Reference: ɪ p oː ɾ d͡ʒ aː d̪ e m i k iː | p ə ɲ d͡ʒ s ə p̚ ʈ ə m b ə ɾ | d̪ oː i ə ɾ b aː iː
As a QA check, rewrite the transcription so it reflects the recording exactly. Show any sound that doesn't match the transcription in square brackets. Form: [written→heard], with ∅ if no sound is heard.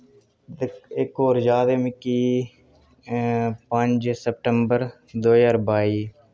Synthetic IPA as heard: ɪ [p→k] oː ɾ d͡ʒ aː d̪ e m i k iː | p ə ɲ d͡ʒ s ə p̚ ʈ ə m b ə ɾ | d̪ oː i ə ɾ b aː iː